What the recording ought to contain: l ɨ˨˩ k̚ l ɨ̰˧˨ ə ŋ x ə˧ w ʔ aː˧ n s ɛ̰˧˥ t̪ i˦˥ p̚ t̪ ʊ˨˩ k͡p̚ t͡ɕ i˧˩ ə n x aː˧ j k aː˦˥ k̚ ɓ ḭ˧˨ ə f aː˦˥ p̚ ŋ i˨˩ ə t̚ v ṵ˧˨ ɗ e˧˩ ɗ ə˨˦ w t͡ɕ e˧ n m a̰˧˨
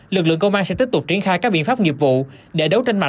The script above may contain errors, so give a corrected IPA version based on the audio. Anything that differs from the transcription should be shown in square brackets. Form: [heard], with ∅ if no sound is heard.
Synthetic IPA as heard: l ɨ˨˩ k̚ l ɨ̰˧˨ ə ŋ [k] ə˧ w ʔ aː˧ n s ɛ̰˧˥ t̪ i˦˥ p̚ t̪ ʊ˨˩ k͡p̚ t͡ɕ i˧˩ ə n x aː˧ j k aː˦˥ k̚ ɓ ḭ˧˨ ə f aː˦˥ p̚ ŋ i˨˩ ə [p̚] v ṵ˧˨ ɗ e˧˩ ɗ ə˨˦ w t͡ɕ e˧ n m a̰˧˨